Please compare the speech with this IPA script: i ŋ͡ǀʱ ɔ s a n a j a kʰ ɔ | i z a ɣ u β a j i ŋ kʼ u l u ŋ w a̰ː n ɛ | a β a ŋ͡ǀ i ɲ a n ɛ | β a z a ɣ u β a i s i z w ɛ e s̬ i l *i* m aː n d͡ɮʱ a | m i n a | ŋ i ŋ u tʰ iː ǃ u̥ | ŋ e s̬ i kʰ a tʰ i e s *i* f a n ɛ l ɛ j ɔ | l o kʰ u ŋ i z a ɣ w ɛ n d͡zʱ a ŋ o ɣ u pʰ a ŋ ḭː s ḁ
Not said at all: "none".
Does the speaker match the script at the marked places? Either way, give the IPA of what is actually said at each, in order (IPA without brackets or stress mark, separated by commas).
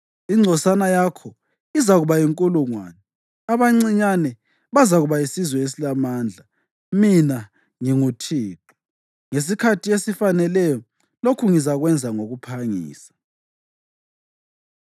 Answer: a, i